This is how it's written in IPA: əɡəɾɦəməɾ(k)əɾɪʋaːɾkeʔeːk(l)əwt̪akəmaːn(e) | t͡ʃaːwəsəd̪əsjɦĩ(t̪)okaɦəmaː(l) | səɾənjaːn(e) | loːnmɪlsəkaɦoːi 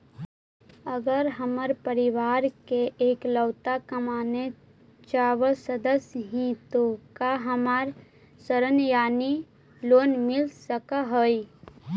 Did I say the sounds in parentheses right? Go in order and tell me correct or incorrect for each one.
incorrect: p, correct, correct, correct, incorrect: ɾ, incorrect: i

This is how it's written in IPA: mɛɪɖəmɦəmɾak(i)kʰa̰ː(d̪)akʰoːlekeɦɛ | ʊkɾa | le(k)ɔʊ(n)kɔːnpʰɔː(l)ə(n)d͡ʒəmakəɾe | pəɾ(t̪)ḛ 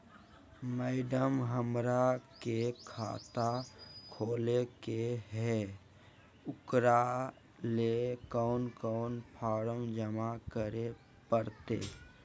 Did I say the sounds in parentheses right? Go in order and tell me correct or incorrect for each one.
incorrect: e, incorrect: t̪, correct, correct, incorrect: ɾ, incorrect: m, correct

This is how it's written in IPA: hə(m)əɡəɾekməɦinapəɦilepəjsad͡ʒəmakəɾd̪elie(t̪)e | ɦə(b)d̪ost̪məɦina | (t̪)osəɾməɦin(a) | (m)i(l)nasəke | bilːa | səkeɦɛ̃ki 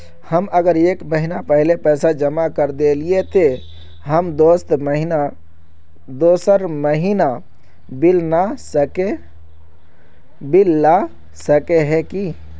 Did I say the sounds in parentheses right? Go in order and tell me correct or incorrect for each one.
correct, correct, incorrect: m, incorrect: d̪, correct, incorrect: b, correct

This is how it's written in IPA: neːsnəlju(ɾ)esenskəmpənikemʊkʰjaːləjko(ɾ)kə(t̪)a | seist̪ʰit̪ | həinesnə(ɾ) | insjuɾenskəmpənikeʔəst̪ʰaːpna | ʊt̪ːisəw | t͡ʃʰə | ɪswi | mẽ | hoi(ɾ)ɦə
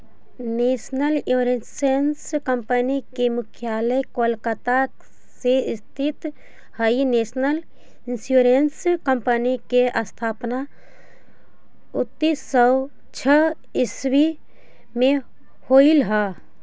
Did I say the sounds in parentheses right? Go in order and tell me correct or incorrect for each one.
correct, incorrect: l, correct, incorrect: l, incorrect: l

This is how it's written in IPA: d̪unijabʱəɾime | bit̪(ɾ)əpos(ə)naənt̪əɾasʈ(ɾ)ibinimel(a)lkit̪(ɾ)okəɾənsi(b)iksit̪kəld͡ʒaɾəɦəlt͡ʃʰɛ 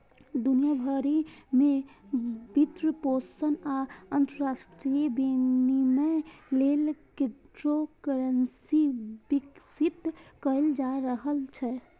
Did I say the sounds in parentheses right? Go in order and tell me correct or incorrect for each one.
correct, correct, correct, incorrect: e, correct, correct

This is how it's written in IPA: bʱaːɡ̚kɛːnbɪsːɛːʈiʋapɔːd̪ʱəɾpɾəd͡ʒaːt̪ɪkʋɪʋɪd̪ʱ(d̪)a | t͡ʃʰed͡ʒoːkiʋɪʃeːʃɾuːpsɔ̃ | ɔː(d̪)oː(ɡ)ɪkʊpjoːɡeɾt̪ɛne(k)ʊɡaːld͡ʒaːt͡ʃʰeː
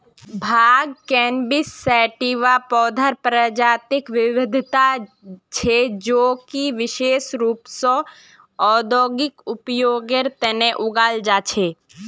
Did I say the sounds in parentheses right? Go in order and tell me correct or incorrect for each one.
incorrect: t̪, correct, correct, incorrect: ʔ

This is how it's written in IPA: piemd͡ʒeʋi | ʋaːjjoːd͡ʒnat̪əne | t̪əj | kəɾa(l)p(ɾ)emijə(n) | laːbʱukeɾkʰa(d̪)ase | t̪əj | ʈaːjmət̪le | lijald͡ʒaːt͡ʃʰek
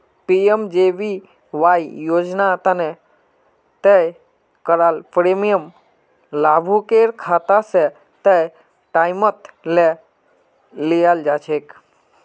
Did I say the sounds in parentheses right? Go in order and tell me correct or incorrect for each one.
correct, correct, incorrect: m, incorrect: t̪

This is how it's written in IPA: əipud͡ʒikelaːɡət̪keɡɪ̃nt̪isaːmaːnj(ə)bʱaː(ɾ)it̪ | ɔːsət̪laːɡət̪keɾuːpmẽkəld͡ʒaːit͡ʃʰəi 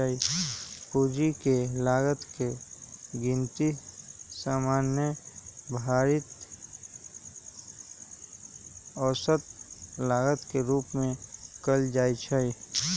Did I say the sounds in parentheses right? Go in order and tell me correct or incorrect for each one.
correct, correct

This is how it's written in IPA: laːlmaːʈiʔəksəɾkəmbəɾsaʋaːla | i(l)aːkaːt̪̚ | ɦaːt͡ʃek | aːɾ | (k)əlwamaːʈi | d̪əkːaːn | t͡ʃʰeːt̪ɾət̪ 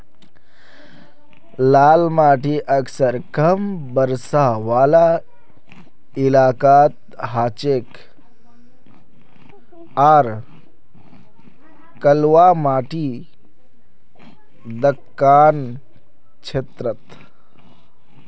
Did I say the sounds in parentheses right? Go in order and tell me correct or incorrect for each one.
correct, correct

